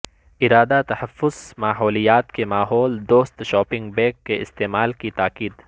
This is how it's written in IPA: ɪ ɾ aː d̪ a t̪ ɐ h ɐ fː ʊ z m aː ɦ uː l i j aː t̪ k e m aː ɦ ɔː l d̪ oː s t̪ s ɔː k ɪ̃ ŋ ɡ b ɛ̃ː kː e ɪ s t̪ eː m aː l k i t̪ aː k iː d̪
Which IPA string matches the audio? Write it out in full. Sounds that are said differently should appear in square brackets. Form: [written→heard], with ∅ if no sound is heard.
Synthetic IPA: ɪ ɾ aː d̪ a t̪ ɐ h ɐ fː ʊ z m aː ɦ [uː→ɔː] l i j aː t̪ k e m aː ɦ ɔː l d̪ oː s t̪ [s→ʃ] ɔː [k→p] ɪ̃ ŋ ɡ b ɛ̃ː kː e ɪ s t̪ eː m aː l k i t̪ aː k iː d̪